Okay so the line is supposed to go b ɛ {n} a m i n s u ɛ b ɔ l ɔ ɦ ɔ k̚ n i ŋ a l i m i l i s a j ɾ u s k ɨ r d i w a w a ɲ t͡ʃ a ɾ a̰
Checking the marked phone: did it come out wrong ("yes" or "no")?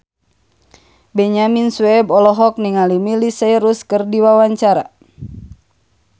yes